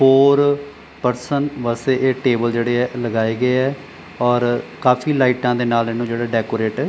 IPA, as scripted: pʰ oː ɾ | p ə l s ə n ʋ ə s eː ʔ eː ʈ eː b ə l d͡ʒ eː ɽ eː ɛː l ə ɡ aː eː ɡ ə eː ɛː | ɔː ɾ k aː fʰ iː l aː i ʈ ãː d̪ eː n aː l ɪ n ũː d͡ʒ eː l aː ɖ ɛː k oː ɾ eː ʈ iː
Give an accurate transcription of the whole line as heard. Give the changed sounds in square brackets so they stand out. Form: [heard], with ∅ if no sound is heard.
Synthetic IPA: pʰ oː ɾ | p ə [ɾ] s ə n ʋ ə s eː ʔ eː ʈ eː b ə l d͡ʒ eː ɽ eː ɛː l ə ɡ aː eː ɡ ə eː ɛː | ɔː ɾ k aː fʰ iː l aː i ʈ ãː d̪ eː n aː l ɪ n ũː d͡ʒ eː [ɽ] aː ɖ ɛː k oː ɾ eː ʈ [ɛː]